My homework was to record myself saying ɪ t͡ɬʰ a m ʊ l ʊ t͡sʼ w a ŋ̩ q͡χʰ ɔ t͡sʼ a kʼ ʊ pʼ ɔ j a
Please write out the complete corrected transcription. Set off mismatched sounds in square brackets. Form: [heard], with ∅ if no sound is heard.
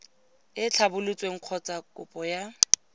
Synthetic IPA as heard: ɪ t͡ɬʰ a [b] ʊ l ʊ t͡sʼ w [e] ŋ̩ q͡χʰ ɔ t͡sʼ a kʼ ʊ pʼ ɔ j a